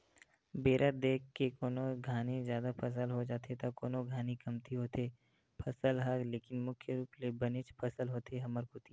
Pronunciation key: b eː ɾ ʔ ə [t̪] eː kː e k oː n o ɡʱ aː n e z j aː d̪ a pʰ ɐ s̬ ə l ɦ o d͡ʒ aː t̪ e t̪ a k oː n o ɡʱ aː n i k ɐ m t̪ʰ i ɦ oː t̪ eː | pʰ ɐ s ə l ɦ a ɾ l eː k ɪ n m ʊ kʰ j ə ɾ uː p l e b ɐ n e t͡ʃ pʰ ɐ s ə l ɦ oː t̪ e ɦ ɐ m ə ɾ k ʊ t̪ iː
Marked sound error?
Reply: yes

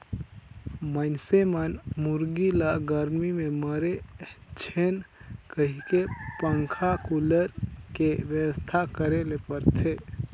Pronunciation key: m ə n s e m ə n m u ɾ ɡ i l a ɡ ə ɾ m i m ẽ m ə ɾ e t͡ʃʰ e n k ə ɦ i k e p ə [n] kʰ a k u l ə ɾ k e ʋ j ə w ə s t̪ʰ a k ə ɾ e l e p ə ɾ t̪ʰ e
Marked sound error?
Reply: yes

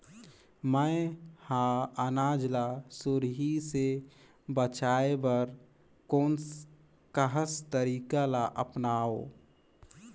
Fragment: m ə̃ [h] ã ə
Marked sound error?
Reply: no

